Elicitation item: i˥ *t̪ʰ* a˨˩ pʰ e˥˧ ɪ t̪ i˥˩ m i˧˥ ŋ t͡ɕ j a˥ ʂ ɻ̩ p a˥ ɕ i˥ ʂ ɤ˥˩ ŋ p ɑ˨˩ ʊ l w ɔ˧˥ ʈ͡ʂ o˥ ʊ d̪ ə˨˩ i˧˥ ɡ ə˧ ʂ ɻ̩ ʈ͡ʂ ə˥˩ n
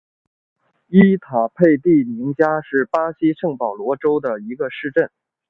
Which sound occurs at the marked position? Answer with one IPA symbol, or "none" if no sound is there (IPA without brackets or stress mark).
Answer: t̪ʰ